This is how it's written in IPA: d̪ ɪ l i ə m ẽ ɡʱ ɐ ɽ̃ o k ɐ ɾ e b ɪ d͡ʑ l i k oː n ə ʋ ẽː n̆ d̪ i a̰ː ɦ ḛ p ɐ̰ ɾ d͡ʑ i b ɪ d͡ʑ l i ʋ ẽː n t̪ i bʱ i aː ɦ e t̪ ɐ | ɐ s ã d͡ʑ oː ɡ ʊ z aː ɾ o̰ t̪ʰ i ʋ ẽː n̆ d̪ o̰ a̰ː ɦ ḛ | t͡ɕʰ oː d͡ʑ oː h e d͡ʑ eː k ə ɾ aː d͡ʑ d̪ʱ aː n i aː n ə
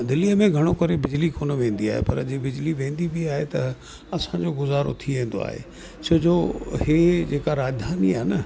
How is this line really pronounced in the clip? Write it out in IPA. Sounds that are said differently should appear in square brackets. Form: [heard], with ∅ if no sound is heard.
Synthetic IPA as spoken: d̪ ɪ l i ə m ẽ ɡʱ ɐ ɽ̃ o k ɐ ɾ e b ɪ d͡ʑ l i k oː n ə ʋ ẽː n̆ d̪ i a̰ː ɦ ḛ p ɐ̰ ɾ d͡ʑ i b ɪ d͡ʑ l i ʋ ẽː n [d̪] i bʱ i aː ɦ e t̪ ɐ | ɐ s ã d͡ʑ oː ɡ ʊ z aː ɾ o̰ t̪ʰ i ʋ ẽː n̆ d̪ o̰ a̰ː ɦ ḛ | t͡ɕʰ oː d͡ʑ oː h e d͡ʑ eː k [a] ɾ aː d͡ʑ d̪ʱ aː n i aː n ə